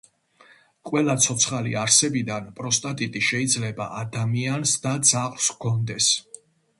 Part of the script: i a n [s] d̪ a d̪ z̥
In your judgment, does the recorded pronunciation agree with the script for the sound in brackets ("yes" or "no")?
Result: yes